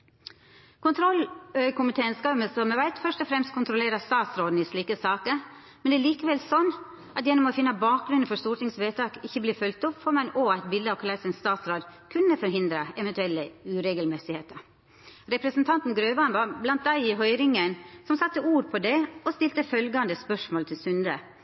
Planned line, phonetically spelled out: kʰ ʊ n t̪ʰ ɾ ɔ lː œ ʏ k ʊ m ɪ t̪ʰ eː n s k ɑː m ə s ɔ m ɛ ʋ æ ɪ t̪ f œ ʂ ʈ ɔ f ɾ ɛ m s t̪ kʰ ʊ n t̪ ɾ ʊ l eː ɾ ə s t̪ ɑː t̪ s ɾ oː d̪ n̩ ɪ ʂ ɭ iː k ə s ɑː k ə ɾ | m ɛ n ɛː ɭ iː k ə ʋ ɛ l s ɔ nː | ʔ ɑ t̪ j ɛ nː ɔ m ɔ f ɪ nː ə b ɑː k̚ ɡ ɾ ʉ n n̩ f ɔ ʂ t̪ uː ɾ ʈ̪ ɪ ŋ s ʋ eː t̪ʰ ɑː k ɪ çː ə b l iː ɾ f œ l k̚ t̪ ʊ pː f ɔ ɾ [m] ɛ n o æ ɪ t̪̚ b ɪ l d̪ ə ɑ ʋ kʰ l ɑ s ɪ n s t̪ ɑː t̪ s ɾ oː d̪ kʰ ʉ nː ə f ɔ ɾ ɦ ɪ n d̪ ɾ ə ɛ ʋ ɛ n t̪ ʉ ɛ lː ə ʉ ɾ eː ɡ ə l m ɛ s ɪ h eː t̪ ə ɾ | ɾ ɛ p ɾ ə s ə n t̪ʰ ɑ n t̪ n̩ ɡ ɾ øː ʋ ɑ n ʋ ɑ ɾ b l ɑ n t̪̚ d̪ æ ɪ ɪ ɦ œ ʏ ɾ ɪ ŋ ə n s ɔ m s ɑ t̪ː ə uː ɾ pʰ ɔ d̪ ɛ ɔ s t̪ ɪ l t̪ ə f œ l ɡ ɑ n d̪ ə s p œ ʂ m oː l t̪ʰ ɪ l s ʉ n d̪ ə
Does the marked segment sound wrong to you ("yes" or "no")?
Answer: no